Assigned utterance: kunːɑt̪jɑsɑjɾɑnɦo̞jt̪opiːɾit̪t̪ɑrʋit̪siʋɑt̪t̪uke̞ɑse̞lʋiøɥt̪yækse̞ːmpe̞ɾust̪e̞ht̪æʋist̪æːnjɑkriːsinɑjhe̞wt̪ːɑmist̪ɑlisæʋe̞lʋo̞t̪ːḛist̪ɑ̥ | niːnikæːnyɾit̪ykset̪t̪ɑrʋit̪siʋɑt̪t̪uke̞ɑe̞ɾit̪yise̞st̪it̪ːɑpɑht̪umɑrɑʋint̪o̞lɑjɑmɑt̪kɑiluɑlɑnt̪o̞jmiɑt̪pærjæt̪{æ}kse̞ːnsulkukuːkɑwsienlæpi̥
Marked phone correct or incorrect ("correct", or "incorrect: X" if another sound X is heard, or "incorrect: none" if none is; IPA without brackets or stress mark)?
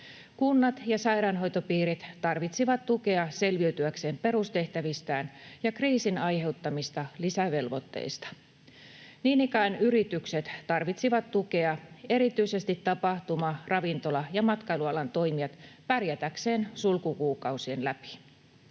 correct